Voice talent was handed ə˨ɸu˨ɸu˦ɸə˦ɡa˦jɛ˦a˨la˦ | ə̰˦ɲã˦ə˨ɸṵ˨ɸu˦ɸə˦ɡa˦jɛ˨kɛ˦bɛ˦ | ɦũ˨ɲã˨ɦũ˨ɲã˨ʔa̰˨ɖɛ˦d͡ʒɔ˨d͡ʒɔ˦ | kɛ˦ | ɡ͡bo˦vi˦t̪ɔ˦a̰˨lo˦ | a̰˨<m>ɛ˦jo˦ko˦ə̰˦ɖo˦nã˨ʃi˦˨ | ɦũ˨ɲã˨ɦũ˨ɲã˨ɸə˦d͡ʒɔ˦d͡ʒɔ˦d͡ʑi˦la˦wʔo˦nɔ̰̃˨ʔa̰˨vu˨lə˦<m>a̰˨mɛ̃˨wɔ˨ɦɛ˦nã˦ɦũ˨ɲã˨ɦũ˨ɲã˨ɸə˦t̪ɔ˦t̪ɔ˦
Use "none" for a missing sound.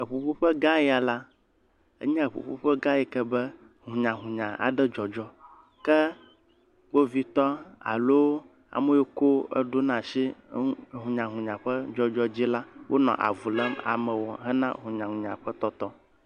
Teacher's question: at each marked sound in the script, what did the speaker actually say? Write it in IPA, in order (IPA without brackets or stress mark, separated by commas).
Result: m, m